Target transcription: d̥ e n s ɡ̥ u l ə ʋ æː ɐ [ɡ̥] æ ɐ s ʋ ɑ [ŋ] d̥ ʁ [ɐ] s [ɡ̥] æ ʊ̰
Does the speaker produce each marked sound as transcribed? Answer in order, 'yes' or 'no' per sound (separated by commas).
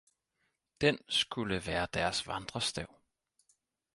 no, no, yes, no